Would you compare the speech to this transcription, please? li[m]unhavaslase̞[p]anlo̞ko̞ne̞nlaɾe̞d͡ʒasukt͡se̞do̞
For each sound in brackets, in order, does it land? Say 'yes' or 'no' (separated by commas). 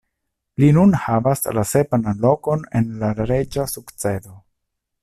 no, yes